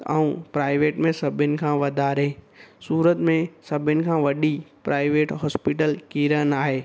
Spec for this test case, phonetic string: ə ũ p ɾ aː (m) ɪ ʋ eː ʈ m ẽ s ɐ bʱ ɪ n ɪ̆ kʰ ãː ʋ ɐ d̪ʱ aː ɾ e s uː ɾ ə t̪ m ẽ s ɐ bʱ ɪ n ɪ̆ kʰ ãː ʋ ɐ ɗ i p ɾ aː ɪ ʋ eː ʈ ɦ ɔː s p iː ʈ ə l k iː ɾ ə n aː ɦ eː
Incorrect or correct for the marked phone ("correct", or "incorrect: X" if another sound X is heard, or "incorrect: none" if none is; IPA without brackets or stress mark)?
incorrect: none